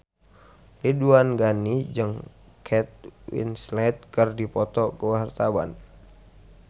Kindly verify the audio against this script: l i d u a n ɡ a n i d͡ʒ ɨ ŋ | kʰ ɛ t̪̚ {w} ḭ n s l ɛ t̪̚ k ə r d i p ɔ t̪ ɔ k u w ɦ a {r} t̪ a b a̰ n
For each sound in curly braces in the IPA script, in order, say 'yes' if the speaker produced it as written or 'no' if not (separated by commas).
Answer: yes, yes